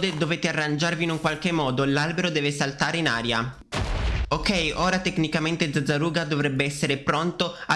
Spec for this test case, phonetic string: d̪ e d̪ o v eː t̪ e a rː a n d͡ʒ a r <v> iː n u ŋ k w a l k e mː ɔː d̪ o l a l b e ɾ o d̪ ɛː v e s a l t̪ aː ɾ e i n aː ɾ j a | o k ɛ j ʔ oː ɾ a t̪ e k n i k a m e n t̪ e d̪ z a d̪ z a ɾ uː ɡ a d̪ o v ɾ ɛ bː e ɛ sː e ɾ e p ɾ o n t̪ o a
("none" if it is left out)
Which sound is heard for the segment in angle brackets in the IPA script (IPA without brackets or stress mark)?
v